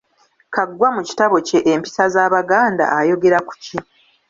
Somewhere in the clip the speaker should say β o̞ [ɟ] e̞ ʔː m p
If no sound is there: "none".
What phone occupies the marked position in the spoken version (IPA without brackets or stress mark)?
c